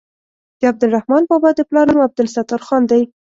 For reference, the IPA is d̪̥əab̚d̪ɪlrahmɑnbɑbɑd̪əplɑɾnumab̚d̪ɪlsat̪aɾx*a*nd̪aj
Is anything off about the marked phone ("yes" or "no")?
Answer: yes